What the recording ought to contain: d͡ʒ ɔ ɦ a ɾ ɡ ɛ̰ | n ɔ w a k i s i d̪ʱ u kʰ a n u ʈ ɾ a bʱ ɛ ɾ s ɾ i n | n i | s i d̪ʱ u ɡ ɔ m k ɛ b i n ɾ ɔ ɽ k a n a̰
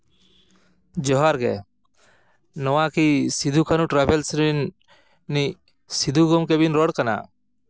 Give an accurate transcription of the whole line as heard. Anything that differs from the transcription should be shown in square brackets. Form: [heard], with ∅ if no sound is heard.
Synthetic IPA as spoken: d͡ʒ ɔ ɦ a ɾ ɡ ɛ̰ | n ɔ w a k i s i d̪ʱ u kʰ a n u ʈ ɾ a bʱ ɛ [l] s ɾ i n | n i | s i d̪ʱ u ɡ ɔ m k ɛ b i n ɾ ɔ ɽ k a n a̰

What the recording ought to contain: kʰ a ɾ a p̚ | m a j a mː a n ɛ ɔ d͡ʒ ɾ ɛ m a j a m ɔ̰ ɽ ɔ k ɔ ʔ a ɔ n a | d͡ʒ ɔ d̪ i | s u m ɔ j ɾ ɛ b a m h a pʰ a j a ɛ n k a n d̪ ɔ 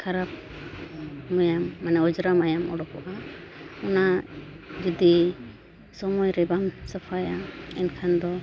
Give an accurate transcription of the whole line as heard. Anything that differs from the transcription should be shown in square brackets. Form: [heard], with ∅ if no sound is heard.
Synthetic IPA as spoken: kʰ a ɾ a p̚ | m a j a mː a n ɛ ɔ d͡ʒ ɾ [a] m a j a m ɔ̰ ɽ ɔ k ɔ ʔ a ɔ n a | d͡ʒ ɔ d̪ i | s [ɔ] m ɔ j ɾ ɛ b a m [s] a pʰ a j a ɛ n [kʰ] a n d̪ ɔ

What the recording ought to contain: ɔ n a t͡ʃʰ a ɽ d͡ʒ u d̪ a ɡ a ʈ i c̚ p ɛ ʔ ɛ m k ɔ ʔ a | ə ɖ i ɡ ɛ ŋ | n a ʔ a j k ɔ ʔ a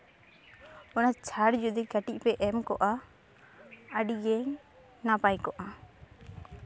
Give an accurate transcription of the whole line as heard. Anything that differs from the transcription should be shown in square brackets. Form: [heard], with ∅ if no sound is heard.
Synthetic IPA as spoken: ɔ n a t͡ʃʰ a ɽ d͡ʒ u d̪ [i] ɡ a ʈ i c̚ p ɛ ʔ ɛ m k ɔ ʔ a | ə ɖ i ɡ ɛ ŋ | n a [p] a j k ɔ ʔ a

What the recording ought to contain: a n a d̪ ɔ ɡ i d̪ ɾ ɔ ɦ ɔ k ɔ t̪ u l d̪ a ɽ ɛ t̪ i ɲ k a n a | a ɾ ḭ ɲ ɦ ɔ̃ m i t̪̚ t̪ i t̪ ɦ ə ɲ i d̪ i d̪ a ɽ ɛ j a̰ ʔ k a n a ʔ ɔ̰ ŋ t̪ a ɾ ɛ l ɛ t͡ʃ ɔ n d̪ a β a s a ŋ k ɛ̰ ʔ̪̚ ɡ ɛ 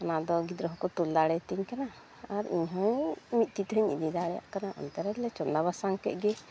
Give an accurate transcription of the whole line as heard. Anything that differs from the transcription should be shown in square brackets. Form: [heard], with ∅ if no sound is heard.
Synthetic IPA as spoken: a n a d̪ ɔ ɡ i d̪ ɾ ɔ ɦ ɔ k ɔ t̪ u l d̪ a ɽ ɛ t̪ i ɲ k a n a | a ɾ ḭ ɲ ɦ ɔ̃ m i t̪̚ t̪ i t̪ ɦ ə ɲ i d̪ i d̪ a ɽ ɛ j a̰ ʔ k a n a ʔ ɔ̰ [n] t̪ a ɾ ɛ l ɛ t͡ʃ ɔ n d̪ a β a s a ŋ k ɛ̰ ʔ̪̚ ɡ ɛ

